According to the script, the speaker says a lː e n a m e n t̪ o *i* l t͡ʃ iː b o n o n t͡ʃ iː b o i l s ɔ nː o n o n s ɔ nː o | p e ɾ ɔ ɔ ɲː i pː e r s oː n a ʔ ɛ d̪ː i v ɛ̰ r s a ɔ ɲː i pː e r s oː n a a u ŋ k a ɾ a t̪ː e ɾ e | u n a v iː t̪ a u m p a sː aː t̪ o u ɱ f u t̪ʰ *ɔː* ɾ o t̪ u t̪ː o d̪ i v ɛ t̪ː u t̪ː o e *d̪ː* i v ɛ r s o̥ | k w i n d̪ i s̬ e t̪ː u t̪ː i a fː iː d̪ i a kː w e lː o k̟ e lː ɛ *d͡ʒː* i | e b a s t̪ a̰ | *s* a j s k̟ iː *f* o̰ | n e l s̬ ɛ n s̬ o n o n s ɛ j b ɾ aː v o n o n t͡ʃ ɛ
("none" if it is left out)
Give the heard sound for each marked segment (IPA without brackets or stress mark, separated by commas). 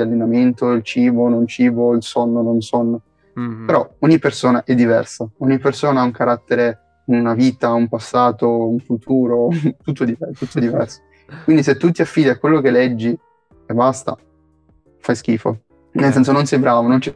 i, uː, d̪, d͡ʒː, f, f